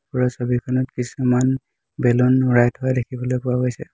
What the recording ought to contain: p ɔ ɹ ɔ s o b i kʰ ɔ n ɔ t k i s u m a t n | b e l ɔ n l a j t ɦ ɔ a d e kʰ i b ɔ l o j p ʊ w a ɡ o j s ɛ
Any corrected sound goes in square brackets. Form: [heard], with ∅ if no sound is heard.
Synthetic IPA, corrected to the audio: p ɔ ɹ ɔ s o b i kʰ ɔ n ɔ t k i s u m a [∅] n | b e l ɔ n [ɹ] a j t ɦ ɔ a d e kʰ i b ɔ l o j p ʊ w a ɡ o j s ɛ